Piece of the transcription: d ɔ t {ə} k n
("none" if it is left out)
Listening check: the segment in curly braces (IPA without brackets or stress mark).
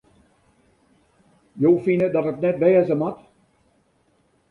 ə